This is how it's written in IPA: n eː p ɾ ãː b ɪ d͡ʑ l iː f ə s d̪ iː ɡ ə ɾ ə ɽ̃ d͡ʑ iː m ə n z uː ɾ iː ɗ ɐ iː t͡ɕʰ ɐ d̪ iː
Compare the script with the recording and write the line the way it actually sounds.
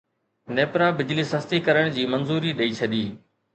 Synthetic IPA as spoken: n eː p ɾ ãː b ɪ d͡ʑ l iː s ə s t̪ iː k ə ɾ ə ɽ̃ d͡ʑ iː m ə n z uː ɾ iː ɗ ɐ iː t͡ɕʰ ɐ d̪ iː